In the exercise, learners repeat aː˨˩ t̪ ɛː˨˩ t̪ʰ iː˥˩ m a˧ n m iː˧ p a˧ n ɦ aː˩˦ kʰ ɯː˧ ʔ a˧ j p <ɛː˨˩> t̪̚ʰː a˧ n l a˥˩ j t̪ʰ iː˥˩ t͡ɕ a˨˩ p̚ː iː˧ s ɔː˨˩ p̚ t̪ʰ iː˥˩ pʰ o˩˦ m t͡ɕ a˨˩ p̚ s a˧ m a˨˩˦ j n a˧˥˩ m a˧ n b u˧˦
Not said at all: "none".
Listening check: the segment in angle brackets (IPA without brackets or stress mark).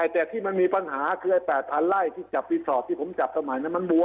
ɛː˨˩